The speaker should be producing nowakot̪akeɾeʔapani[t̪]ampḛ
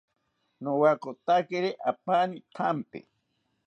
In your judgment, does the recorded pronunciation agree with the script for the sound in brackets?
no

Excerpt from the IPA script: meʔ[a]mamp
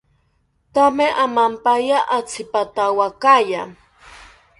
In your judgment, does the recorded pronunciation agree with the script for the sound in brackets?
yes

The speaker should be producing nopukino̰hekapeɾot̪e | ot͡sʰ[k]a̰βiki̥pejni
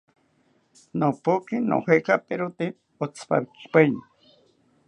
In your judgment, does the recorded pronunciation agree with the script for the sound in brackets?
no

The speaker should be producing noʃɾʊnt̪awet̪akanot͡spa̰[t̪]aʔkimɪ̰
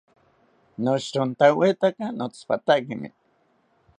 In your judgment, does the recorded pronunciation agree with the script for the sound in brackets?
yes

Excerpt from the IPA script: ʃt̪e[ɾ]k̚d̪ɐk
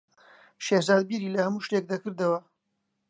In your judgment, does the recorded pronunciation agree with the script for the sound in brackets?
no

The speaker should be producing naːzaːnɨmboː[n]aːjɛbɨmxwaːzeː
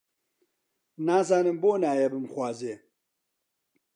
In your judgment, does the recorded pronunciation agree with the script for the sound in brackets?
yes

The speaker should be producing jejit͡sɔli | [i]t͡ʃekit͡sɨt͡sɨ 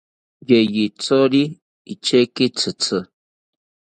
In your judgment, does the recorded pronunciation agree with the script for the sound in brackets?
yes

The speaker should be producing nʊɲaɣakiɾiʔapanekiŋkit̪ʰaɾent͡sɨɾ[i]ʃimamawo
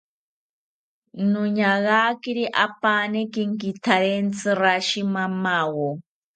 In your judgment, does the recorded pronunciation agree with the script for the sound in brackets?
no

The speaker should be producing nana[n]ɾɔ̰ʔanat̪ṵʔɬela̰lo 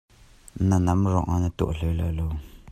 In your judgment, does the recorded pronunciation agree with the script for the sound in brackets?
no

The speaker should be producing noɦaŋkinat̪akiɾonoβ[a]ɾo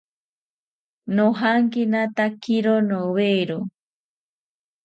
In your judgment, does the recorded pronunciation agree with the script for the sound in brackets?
no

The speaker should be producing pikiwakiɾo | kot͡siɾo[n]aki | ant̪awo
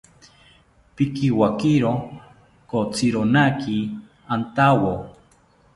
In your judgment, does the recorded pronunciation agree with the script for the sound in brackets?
yes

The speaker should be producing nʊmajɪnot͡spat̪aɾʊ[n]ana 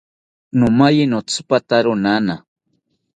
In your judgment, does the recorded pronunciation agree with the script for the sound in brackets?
yes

